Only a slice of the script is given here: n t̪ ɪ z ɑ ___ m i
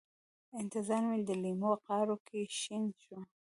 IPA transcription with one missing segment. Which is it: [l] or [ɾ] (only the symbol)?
ɾ